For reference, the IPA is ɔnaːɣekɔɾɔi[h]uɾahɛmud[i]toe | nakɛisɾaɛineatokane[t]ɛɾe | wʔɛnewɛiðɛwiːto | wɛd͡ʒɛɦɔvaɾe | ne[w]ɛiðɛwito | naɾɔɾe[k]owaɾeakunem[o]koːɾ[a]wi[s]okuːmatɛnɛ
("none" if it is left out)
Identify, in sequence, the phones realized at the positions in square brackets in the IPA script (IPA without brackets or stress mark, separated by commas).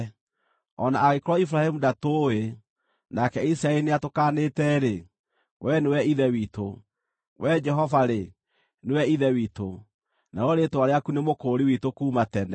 f, a, t, w, t, o, i, t